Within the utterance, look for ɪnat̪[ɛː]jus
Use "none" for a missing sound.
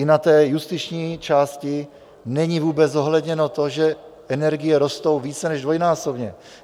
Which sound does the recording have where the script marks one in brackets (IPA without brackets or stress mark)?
ɛː